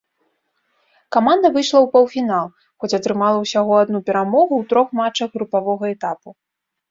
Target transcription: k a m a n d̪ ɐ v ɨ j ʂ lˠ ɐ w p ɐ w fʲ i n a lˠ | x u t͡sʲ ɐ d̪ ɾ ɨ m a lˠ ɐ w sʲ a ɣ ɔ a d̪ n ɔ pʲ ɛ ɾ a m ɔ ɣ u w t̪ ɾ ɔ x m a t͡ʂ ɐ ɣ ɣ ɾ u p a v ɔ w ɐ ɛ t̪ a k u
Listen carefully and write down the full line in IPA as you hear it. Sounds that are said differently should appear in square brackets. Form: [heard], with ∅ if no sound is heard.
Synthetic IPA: k a m a n d̪ ɐ v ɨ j ʂ lˠ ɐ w p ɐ w fʲ i n a lˠ | x [ɔ] t͡sʲ ɐ [t̪] ɾ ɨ m a lˠ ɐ w sʲ a ɣ ɔ a d̪ n [u] pʲ ɛ ɾ a m ɔ ɣ u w t̪ ɾ ɔ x m a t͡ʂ ɐ ɣ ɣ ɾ u p a v ɔ [ɣ] ɐ ɛ t̪ a [p] u